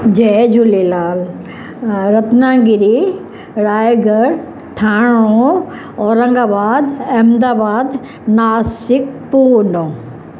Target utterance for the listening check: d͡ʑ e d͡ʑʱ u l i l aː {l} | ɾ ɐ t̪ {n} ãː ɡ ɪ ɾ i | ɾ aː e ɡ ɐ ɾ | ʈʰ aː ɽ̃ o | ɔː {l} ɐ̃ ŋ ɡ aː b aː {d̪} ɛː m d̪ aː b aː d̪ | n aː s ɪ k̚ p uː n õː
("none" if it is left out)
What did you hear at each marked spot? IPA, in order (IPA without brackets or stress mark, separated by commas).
l, n, ɾ, d̪